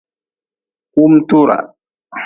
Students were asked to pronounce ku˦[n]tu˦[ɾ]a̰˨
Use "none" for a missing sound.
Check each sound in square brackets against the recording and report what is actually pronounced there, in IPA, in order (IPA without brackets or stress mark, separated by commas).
m, ɾ